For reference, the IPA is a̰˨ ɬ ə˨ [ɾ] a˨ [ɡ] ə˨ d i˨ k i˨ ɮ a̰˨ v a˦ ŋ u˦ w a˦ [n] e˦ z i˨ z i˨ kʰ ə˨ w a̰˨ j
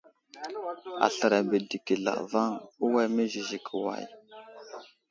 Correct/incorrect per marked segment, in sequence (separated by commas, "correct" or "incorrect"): correct, incorrect, incorrect